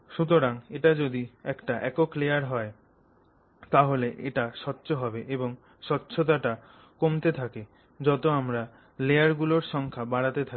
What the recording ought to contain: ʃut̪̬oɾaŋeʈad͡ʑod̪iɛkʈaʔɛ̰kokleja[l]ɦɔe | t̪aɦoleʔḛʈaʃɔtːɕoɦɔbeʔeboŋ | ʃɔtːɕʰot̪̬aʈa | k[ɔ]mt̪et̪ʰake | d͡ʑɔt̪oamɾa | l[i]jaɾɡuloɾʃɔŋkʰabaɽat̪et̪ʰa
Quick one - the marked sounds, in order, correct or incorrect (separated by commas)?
incorrect, incorrect, incorrect